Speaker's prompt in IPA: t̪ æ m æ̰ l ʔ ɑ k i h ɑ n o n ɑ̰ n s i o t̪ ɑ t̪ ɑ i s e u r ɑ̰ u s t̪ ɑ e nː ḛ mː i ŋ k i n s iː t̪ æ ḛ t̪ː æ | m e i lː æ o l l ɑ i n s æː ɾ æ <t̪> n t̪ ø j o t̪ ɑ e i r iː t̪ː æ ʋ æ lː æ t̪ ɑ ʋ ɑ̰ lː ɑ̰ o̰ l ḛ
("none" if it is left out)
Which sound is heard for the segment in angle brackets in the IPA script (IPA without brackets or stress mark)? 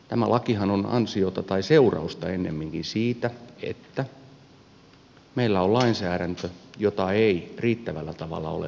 none